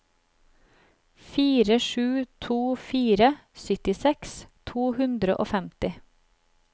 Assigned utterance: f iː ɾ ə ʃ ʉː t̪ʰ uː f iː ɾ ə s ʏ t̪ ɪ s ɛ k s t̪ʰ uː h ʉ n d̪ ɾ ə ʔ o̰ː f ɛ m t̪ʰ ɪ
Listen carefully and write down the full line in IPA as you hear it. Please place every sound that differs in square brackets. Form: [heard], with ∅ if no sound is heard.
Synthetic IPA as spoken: f iː ɾ ə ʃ ʉː t̪ʰ uː f iː ɾ ə s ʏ t̪ ɪ s ɛ k s t̪ʰ uː h ʉ n d̪ ɾ ə ʔ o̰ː f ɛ m [t̪] ɪ